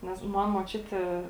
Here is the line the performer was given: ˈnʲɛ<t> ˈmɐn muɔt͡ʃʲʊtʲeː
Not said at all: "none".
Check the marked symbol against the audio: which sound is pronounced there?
s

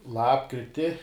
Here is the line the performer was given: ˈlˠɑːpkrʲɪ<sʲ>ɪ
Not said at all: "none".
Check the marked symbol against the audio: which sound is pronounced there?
tʲ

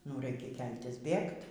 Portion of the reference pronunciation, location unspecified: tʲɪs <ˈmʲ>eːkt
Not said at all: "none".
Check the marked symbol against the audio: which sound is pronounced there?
bʲ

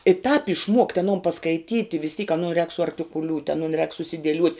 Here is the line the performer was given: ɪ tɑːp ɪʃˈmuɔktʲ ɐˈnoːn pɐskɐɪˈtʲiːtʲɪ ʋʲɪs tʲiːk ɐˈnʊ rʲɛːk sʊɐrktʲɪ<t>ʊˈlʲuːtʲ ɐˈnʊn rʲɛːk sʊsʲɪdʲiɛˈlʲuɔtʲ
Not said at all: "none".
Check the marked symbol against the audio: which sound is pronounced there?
k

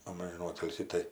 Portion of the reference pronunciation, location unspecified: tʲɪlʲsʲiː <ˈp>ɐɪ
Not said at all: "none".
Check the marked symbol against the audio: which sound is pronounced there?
t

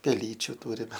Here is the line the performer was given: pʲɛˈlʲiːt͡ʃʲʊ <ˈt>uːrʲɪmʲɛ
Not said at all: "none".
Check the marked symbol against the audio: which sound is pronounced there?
t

